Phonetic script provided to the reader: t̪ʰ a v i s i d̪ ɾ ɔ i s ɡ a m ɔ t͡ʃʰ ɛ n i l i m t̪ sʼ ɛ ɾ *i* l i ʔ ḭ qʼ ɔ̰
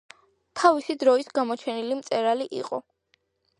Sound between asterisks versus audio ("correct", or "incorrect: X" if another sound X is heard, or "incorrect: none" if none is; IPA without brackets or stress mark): incorrect: a